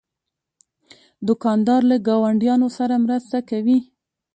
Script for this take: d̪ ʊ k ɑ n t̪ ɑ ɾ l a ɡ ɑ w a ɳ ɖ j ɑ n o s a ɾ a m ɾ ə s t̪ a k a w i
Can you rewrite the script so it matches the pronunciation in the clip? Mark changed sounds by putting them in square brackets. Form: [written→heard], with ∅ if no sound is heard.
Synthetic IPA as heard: d̪ ʊ k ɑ n [t̪→d̪] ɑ ɾ l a ɡ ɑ w a ɳ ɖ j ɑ n o s a ɾ a m ɾ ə s t̪ a k a w i